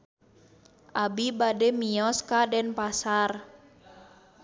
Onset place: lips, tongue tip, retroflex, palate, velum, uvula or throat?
throat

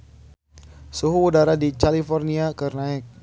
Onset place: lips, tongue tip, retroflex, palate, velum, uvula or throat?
tongue tip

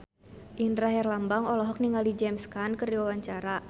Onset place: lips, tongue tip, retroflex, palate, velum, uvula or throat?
throat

